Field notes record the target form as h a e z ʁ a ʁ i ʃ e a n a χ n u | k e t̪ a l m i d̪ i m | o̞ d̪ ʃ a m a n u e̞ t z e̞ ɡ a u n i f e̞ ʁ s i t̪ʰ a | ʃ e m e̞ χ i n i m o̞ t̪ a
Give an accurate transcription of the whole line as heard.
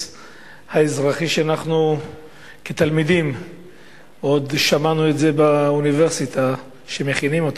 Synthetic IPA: h a e z ʁ a χ i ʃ e a n a χ n u | k e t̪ a l m i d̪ i m | o̞ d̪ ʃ a m a n u e̞ t z e̞ b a u n i v e̞ ʁ s i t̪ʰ a | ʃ e m e̞ χ i n i m o̞ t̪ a